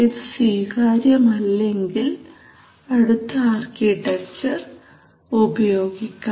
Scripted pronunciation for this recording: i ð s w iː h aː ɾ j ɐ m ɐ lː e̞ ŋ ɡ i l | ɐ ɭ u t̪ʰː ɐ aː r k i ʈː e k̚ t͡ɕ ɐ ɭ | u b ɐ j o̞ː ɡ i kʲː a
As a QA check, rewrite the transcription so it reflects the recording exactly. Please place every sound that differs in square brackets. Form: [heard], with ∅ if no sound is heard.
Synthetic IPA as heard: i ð s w iː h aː ɾ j ɐ m ɐ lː e̞ ŋ ɡ i l | ɐ [ɽ] u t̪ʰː ɐ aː r k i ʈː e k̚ t͡ɕ ɐ [r] | u b ɐ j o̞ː ɡ i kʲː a